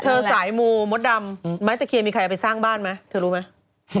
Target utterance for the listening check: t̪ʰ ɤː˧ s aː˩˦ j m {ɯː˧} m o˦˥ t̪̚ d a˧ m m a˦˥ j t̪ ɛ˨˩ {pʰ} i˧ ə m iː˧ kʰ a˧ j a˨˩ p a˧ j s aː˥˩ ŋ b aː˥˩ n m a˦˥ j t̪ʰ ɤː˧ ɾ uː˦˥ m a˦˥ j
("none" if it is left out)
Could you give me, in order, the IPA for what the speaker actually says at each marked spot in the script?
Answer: uː˧, kʰ

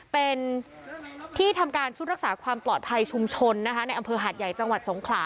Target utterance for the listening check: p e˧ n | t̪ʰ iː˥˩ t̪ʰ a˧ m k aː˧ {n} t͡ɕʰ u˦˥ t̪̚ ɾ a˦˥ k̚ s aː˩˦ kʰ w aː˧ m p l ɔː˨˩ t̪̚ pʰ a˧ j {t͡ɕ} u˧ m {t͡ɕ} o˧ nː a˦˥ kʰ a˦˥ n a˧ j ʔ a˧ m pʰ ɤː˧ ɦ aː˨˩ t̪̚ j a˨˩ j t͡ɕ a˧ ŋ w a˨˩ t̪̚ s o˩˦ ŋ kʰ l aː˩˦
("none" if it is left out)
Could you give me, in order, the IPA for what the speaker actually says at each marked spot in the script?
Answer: n, t͡ɕʰ, t͡ɕʰ

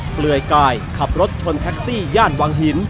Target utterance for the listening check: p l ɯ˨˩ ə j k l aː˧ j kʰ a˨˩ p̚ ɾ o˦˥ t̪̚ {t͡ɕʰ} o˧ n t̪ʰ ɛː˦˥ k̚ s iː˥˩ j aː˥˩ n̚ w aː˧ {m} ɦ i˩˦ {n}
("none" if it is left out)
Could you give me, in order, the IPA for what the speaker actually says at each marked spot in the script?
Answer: t͡ɕʰ, ŋ, n

